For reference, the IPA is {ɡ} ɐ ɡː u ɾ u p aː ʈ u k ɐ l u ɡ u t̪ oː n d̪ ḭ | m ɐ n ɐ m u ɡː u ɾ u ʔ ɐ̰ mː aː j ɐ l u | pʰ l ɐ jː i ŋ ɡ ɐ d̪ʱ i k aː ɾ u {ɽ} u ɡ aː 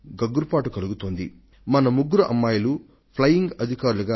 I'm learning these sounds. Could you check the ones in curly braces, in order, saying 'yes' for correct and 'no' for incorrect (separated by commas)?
yes, no